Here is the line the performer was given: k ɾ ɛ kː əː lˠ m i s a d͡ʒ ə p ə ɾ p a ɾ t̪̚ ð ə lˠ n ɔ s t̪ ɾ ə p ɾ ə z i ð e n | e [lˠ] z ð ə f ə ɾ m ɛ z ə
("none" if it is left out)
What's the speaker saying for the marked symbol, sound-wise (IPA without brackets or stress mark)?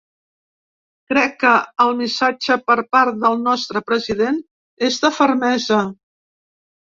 none